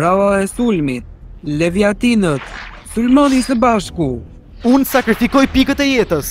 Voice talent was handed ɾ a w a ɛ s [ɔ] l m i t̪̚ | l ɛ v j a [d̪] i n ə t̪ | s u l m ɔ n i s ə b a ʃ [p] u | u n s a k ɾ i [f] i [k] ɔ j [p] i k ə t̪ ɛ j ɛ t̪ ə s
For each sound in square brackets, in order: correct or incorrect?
incorrect: u, incorrect: t̪, incorrect: k, correct, correct, correct

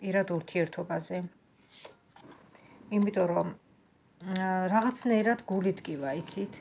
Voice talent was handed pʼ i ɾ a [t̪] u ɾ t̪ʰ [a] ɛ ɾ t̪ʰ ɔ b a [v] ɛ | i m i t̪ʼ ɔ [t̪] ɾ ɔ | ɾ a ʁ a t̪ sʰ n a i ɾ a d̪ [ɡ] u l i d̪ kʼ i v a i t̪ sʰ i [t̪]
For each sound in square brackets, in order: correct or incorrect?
incorrect: d̪, incorrect: i, incorrect: z, incorrect: none, correct, incorrect: t̪ʰ

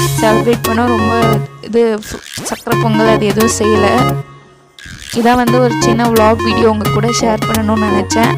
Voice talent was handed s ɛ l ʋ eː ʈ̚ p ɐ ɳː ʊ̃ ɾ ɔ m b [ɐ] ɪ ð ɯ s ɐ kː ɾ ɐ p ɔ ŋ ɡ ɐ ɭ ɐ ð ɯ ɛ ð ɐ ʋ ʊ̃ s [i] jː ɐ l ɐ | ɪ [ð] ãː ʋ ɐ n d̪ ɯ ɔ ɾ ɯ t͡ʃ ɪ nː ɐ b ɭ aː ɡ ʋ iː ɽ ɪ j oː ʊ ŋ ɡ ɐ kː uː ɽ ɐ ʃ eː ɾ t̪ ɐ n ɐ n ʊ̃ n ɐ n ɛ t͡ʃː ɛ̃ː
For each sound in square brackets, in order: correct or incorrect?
correct, incorrect: ɛ, correct

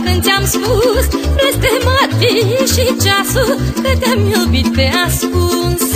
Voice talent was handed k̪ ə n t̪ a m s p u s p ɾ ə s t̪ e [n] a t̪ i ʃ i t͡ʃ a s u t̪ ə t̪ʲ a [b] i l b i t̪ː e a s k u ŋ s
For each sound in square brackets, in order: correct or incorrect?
incorrect: m, incorrect: m

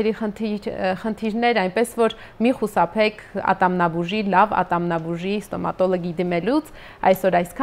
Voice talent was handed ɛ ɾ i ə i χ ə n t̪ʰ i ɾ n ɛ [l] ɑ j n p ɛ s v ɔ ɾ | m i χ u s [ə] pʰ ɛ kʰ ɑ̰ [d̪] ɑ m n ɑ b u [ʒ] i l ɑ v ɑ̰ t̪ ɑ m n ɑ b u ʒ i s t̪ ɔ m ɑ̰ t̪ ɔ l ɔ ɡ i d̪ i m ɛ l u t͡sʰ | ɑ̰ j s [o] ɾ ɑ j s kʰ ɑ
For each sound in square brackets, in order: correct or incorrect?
incorrect: ɾ, incorrect: ɑ, incorrect: t̪, correct, incorrect: ɔ

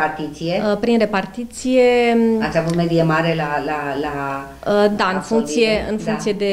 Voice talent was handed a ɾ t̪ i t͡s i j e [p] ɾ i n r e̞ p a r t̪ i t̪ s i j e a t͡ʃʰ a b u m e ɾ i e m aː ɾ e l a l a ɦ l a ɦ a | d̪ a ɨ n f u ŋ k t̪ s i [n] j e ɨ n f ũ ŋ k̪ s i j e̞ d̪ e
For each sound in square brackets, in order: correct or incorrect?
correct, incorrect: none

